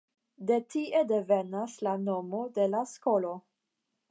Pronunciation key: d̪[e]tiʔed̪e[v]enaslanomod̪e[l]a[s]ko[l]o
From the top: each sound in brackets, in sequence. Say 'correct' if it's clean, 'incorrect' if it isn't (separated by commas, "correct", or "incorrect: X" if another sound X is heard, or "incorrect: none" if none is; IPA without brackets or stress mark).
correct, correct, correct, correct, correct